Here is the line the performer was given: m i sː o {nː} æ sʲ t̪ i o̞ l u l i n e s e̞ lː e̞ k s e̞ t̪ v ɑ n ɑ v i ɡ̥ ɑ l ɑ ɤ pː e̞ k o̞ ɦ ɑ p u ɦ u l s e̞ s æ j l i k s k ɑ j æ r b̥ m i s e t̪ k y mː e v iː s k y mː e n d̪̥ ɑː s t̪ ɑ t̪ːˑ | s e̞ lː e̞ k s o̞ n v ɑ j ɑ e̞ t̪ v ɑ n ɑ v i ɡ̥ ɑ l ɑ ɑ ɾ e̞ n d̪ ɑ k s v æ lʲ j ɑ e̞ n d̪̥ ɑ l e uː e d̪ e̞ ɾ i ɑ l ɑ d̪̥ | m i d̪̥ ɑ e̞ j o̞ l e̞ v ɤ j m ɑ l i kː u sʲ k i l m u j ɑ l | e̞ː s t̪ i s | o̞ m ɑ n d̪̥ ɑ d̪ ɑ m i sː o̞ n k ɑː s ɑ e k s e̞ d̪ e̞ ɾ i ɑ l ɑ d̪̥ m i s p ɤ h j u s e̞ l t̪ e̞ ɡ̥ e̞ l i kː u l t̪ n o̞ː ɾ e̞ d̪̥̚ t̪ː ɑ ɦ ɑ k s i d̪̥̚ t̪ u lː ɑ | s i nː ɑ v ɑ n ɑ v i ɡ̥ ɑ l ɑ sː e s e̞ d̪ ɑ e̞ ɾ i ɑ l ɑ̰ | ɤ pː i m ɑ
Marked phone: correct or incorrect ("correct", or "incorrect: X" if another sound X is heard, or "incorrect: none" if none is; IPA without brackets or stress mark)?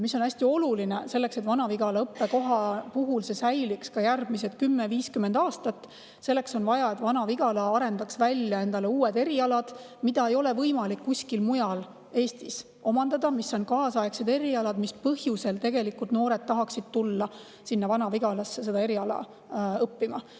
incorrect: n